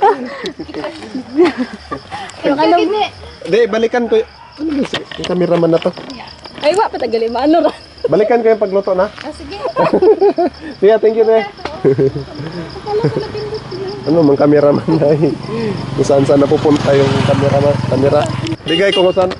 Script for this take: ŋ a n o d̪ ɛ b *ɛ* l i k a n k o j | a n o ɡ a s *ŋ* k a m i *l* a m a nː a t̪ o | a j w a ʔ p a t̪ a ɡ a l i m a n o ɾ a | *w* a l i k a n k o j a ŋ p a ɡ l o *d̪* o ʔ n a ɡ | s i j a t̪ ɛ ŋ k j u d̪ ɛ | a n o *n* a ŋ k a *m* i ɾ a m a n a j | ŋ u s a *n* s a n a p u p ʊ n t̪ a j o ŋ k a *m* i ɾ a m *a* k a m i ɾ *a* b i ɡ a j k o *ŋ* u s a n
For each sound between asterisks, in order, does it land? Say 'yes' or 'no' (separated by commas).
no, yes, no, no, no, no, yes, yes, yes, yes, yes, yes